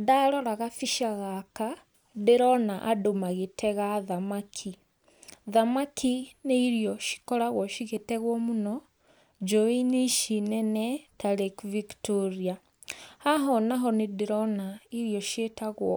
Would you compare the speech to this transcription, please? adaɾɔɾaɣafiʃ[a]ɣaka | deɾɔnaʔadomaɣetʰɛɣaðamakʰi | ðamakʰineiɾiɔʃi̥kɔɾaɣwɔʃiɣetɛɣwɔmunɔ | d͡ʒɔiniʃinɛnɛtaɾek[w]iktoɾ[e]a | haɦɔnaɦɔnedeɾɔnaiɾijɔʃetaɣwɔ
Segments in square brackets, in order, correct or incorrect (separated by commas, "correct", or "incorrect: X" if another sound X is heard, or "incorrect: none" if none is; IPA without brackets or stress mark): correct, incorrect: v, incorrect: i